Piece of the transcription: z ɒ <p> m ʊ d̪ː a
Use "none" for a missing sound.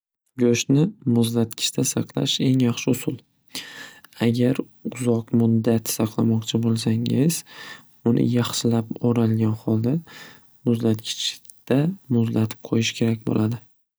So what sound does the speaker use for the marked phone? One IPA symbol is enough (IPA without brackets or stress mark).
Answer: q